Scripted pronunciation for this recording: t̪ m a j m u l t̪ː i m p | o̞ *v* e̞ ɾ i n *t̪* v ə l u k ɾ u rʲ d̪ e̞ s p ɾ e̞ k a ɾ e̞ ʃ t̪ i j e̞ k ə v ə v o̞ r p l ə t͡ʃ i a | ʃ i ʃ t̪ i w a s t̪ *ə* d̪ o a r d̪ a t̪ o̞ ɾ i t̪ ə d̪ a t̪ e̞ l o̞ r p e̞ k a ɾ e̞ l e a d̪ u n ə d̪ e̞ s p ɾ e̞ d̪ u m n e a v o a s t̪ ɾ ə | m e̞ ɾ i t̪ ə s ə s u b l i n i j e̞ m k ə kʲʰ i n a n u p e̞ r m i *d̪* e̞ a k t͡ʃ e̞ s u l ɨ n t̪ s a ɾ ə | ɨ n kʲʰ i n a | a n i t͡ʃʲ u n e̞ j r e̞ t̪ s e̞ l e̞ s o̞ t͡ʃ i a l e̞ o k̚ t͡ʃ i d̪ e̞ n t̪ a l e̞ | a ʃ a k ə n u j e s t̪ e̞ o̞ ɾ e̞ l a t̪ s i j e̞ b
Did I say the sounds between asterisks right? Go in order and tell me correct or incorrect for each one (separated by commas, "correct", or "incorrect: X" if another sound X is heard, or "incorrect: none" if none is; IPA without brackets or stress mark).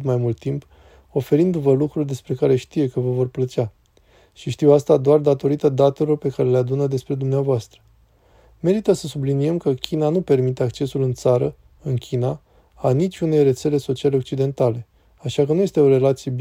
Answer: incorrect: f, incorrect: d̪, incorrect: a, incorrect: t̪